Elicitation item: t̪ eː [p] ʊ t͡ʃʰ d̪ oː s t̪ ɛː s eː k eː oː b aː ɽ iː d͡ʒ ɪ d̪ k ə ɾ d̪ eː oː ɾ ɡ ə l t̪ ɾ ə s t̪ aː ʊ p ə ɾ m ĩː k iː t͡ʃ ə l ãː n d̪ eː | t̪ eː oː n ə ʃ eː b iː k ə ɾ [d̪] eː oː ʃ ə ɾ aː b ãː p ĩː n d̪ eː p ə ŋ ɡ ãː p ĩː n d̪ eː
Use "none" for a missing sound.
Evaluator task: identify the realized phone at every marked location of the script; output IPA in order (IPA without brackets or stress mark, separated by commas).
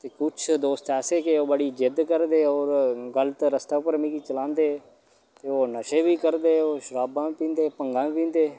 k, d̪